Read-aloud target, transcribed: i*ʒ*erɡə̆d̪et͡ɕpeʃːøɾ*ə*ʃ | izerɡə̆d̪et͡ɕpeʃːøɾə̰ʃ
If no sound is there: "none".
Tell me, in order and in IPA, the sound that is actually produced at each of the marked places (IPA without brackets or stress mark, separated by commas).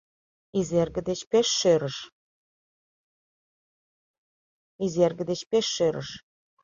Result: z, ə